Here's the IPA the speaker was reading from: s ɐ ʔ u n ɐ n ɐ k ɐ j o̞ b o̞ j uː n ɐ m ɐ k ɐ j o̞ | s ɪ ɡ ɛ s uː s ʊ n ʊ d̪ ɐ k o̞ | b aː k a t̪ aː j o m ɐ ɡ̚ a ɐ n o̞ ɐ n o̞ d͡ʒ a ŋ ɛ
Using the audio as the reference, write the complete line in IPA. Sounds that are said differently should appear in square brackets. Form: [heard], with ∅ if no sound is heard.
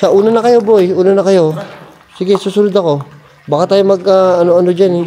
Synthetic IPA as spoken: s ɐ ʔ [uː] n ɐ n ɐ k ɐ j o̞ b o̞ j uː n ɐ [n] ɐ k ɐ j o̞ | s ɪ ɡ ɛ s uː s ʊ n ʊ d̪ ɐ k o̞ | b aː k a t̪ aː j o m ɐ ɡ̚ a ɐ n o̞ ɐ n o̞ d͡ʒ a [n] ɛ